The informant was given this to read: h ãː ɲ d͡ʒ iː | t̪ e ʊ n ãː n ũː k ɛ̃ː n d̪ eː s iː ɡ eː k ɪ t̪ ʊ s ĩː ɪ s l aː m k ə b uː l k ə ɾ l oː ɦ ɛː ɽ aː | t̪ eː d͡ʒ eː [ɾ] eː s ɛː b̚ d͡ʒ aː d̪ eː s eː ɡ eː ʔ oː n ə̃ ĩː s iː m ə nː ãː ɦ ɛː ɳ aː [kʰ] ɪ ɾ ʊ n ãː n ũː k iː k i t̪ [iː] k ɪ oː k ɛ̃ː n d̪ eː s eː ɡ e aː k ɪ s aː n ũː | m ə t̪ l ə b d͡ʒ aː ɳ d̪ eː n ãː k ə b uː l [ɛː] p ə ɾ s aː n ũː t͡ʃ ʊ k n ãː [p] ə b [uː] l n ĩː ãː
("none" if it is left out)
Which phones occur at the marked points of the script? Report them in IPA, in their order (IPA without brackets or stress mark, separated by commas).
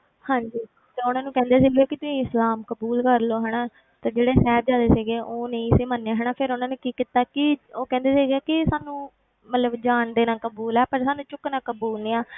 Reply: ɽ, pʰ, aː, ɛː, k, uː